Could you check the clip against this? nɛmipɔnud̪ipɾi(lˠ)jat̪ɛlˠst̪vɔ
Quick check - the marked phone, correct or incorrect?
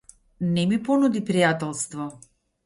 incorrect